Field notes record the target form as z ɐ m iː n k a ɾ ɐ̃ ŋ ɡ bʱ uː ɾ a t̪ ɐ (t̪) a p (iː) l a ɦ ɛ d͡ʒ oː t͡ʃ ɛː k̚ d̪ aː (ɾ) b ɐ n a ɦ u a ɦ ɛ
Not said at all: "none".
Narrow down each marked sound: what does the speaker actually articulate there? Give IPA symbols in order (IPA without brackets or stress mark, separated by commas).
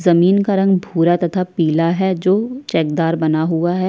t̪ʰ, iː, ɾ